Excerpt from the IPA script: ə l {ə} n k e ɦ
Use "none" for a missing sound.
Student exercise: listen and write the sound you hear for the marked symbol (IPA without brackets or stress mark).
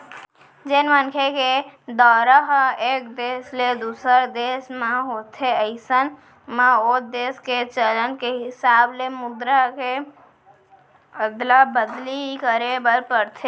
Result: ə